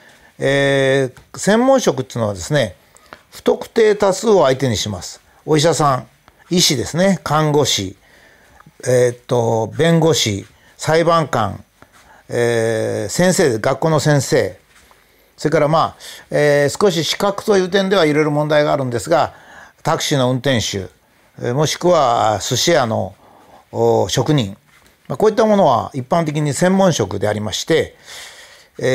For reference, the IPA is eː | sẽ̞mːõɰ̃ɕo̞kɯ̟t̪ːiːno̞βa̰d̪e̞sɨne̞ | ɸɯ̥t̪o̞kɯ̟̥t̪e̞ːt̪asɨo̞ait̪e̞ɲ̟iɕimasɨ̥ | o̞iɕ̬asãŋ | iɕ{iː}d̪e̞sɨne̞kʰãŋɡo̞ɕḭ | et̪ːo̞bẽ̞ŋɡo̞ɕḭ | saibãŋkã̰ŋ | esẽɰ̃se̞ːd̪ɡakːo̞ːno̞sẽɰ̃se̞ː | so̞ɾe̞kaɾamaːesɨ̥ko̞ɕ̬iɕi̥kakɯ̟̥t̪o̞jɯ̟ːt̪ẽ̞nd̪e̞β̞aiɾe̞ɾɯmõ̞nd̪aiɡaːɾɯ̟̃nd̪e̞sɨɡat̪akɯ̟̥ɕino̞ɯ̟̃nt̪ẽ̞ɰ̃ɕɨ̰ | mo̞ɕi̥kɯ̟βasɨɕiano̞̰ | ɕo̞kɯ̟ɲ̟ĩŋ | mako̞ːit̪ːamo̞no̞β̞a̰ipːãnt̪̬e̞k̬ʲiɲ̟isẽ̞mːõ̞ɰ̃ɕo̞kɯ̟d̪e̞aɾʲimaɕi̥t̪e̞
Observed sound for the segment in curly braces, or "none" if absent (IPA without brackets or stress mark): i